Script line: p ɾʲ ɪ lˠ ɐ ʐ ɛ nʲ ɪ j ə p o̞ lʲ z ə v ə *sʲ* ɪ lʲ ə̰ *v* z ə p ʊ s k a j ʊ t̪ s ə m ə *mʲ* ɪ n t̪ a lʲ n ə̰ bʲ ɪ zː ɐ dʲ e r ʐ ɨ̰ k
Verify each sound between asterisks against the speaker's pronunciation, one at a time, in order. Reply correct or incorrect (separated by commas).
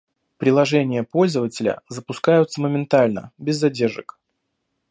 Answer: incorrect, incorrect, correct